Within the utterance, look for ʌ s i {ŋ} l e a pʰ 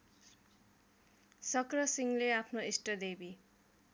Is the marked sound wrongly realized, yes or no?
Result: no